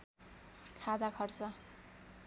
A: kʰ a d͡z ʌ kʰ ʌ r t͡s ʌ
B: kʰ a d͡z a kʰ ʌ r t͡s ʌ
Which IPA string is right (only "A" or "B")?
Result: B